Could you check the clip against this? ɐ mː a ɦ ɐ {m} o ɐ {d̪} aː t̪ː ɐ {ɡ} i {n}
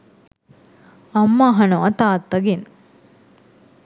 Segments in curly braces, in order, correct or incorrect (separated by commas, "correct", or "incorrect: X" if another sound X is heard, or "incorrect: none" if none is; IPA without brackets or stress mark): incorrect: n, incorrect: t̪, correct, correct